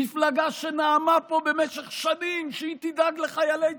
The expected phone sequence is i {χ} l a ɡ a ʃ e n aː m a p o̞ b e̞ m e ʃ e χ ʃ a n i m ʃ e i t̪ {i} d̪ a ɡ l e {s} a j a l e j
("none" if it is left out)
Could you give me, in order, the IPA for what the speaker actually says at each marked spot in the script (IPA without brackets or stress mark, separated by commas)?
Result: f, i, χ